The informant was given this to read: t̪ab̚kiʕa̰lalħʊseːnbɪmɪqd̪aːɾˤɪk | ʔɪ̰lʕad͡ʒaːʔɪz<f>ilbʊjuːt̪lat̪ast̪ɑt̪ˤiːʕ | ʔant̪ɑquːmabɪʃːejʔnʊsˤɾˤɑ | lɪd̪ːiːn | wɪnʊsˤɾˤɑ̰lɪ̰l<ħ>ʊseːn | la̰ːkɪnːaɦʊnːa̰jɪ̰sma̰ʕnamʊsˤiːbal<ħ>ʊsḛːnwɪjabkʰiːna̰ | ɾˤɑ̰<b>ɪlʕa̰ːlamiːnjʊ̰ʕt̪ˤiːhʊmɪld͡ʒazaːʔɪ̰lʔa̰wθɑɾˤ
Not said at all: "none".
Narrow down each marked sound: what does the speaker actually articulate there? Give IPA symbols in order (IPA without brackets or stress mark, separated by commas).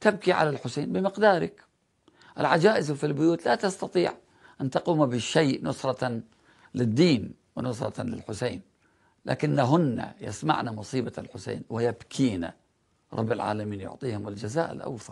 f, ħ, ħ, bː